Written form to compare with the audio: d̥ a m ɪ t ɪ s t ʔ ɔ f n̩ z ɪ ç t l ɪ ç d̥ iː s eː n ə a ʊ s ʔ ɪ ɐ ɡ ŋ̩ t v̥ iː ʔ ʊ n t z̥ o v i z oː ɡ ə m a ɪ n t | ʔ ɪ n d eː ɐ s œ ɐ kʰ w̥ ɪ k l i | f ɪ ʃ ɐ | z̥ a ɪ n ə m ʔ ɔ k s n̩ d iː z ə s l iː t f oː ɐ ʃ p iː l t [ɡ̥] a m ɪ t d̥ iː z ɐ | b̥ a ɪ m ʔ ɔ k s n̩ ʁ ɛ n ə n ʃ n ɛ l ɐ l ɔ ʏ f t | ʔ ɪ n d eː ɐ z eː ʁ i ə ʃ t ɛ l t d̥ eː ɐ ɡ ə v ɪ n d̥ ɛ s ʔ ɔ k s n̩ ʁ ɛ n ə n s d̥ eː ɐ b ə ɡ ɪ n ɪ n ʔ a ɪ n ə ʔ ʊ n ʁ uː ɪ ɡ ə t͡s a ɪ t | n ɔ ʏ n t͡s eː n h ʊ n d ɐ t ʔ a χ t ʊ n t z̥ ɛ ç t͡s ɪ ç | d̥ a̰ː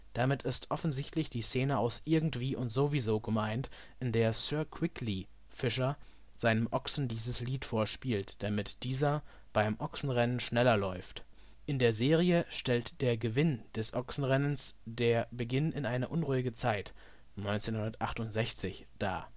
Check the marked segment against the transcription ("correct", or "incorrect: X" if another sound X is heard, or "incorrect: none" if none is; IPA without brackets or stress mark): incorrect: d̥